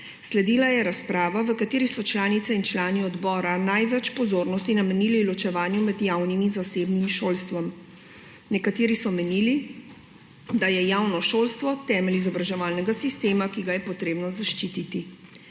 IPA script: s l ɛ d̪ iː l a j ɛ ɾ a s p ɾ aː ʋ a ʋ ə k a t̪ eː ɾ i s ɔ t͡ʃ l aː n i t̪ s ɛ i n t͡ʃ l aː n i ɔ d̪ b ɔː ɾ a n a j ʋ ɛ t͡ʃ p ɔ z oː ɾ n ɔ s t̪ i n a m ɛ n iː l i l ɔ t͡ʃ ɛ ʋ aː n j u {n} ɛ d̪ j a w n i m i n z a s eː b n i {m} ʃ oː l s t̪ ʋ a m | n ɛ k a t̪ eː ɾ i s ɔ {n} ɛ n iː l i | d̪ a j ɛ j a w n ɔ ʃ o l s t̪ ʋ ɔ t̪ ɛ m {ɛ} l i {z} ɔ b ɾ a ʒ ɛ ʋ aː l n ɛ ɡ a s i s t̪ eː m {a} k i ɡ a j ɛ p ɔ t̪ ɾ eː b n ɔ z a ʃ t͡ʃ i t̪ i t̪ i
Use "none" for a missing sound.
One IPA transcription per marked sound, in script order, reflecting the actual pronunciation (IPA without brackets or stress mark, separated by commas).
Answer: m, m, m, ɛ, z, a